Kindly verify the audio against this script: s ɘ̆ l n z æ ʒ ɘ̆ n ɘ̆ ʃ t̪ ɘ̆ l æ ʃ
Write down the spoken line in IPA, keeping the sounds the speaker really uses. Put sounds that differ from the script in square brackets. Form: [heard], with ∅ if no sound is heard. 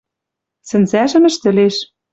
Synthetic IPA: s ɘ̆ [∅] n z æ ʒ ɘ̆ [m] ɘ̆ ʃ t̪ ɘ̆ l [e] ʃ